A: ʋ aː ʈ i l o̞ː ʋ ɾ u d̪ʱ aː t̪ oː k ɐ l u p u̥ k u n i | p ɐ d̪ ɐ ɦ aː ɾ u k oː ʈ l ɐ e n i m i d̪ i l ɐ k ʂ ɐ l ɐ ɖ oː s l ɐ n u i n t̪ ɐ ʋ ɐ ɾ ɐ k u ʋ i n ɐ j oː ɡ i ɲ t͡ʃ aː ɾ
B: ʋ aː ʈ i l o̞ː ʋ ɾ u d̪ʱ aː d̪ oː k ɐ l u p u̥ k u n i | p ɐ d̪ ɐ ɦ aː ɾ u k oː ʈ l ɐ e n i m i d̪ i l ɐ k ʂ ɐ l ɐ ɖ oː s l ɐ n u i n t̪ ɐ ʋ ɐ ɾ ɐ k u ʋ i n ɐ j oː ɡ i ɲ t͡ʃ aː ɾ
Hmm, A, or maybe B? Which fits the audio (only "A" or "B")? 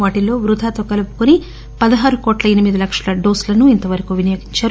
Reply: A